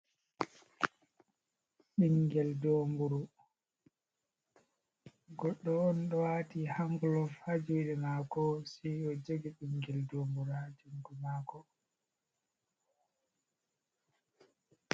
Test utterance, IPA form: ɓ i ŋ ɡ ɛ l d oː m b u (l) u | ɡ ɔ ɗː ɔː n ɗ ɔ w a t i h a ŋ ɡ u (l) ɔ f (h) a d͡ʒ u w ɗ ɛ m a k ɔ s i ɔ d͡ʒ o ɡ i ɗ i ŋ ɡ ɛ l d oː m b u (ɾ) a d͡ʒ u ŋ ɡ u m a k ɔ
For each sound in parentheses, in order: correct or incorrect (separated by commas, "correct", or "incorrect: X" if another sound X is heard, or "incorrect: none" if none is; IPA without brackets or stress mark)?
incorrect: ɾ, correct, correct, correct